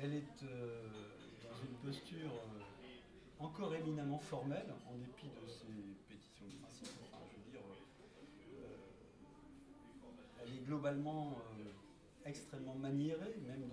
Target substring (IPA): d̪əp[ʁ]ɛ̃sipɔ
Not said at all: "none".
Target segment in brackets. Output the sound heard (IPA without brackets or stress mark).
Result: χ